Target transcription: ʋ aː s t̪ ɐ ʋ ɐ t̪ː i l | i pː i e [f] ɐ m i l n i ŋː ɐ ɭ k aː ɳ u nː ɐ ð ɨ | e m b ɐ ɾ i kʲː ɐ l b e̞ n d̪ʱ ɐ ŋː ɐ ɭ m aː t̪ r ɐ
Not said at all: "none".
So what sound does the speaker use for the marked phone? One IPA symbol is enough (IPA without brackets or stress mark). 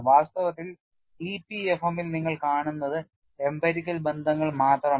f